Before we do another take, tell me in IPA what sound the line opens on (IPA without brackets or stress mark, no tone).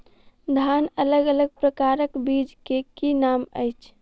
d̪ʱ